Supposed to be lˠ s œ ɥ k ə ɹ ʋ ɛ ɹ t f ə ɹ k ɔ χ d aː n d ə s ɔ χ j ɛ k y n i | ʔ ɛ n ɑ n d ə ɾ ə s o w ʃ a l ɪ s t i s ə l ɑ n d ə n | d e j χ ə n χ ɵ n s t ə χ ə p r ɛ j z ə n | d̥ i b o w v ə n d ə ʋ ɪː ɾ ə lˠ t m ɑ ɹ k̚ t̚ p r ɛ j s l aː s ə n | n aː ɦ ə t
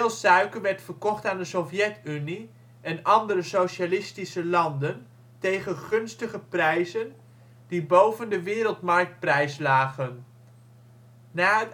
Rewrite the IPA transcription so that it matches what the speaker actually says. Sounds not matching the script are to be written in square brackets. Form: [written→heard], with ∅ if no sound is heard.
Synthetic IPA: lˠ s œ ɥ k ə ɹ ʋ ɛ ɹ t f ə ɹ k ɔ χ [d→t] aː n d ə s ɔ [χ→f] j ɛ [k→t] y n i | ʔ ɛ n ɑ n d ə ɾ ə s o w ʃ a l ɪ s t i s ə l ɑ n d ə n | [d→t] e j χ ə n χ ɵ n s t ə χ ə p r ɛ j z ə n | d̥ i b o w v ə n d ə ʋ ɪː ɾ ə lˠ t m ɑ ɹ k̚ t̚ p r ɛ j s l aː [s→χ] ə n | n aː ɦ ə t